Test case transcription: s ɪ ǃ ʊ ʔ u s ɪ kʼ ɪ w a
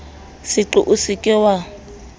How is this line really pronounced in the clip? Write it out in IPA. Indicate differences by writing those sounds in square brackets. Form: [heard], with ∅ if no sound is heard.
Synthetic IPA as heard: s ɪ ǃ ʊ ʔ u s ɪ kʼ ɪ w a